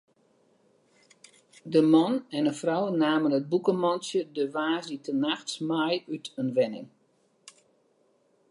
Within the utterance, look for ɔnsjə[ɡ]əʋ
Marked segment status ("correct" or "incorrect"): incorrect